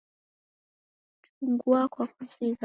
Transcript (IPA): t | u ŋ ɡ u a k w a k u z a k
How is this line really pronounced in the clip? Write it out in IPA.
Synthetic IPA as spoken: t | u ŋ ɡ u a k w a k u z i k